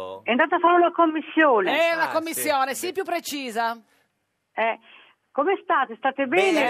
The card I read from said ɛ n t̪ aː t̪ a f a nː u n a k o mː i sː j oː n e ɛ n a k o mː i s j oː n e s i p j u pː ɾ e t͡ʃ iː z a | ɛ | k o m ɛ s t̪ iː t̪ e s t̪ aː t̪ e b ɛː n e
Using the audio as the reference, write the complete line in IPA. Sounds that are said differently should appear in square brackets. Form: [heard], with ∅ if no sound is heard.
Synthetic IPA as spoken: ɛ n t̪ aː t̪ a f a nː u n a k o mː i sː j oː n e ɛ n a k o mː i [sː] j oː n e s i p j u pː ɾ e t͡ʃ iː z a | ɛ | k o m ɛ s t̪ [aː] t̪ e s t̪ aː t̪ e b ɛː n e